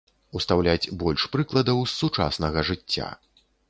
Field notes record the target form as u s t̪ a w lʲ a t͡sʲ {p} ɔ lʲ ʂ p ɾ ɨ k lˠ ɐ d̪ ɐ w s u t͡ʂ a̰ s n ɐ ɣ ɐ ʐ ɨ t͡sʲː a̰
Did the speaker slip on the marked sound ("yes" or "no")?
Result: yes